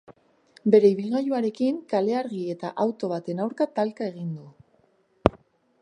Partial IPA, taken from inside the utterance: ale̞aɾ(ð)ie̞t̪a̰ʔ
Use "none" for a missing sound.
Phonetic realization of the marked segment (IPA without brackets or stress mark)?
ɣ